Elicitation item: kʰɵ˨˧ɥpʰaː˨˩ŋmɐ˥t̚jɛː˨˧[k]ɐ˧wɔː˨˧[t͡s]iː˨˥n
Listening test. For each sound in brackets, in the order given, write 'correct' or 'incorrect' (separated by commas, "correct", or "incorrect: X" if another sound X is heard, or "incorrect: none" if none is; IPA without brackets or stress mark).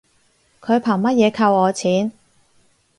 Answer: incorrect: kʰ, incorrect: t͡sʰ